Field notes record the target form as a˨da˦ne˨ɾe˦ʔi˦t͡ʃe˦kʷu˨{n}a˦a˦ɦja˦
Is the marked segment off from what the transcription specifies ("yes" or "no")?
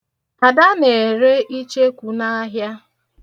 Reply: no